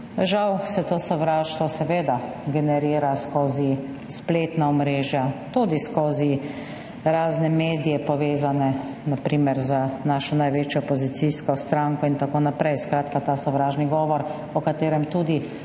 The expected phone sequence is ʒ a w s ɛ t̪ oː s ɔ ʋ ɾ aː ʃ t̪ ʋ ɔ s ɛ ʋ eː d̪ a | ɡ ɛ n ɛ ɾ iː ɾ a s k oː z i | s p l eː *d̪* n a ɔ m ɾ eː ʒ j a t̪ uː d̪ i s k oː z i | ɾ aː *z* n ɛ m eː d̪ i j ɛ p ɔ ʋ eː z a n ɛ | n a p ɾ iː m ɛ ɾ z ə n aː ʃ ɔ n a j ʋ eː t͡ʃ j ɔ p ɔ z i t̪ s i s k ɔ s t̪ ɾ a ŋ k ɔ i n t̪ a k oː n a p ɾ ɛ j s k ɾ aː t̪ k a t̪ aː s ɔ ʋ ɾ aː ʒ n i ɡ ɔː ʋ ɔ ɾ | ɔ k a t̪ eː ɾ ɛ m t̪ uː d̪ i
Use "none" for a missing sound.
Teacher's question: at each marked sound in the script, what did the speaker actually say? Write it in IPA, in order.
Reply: t̪, z

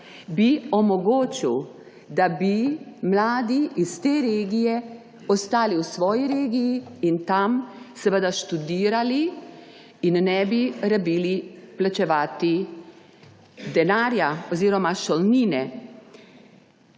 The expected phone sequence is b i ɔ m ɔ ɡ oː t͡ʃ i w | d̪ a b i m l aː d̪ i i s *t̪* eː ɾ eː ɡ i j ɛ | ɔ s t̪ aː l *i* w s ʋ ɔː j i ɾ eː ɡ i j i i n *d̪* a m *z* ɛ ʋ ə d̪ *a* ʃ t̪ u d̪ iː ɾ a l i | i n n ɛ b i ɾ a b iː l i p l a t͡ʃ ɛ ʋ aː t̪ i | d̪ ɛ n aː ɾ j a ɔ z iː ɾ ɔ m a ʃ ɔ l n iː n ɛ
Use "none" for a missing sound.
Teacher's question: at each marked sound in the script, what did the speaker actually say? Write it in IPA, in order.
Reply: t̪, i, t̪, s, a

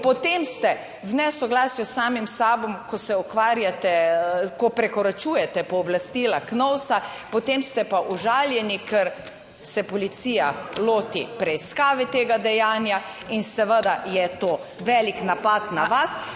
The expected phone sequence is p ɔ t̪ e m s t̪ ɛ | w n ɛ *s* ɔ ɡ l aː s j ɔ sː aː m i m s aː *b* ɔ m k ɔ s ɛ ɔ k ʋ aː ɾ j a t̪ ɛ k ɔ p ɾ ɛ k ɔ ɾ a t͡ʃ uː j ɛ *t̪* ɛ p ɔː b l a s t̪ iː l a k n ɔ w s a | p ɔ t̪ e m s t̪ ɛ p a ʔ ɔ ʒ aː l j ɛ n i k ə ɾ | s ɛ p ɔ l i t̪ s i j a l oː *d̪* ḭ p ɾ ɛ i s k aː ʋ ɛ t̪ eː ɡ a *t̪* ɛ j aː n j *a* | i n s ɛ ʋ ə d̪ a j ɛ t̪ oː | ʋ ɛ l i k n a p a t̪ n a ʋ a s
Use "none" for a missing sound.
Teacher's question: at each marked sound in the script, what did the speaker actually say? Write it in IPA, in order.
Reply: s, b, t̪, t̪, d̪, a

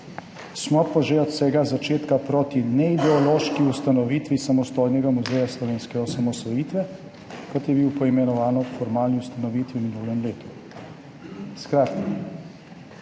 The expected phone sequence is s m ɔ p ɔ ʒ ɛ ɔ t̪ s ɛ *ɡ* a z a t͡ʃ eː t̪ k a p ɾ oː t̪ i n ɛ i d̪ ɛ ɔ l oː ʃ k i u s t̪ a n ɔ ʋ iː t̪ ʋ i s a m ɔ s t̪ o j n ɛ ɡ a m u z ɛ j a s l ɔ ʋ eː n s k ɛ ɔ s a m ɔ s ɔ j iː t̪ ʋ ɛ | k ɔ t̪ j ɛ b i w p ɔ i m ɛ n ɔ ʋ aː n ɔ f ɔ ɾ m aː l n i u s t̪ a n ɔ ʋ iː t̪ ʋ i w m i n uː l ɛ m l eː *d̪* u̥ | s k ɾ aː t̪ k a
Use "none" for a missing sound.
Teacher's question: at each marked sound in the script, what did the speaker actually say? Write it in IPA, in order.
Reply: ɡ, t̪

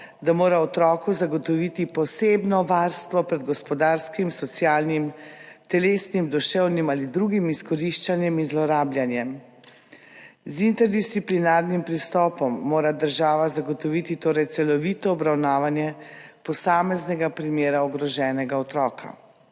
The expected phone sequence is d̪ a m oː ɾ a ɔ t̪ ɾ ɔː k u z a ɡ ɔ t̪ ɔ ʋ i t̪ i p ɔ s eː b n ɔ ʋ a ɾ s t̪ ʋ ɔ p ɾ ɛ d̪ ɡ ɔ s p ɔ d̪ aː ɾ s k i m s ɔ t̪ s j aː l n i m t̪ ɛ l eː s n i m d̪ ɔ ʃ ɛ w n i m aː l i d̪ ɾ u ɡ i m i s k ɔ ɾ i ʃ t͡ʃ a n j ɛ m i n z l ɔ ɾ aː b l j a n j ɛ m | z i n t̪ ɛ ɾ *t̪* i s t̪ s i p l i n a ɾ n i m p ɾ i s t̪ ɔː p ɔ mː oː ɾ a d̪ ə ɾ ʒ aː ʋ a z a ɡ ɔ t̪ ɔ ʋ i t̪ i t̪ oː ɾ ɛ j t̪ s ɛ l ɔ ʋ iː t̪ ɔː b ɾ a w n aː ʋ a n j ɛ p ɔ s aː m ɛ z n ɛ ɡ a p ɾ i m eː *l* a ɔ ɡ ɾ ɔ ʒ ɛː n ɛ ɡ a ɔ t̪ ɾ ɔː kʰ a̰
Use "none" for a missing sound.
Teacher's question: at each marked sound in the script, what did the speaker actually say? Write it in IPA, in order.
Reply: d̪, ɾ

